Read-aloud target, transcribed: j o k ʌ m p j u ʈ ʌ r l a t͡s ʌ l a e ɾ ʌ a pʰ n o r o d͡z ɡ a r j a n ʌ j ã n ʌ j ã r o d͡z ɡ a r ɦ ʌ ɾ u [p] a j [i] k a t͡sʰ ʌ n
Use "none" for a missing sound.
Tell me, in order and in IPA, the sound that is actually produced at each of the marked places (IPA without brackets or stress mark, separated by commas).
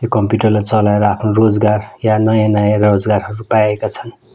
p, e